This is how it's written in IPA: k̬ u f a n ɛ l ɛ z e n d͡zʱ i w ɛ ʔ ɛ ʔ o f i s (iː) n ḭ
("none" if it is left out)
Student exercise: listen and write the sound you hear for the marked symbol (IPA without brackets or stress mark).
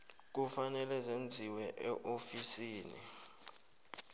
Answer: iː